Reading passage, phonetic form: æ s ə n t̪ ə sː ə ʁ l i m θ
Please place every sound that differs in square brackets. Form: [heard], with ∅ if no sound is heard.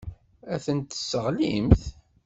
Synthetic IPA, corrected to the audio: æ [θ] ə n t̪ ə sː ə ʁ l i m θ